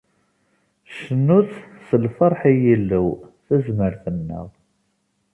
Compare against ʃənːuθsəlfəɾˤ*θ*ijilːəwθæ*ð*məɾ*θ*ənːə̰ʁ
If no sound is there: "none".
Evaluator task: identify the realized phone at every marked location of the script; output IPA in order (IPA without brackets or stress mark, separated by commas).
ħ, z, θ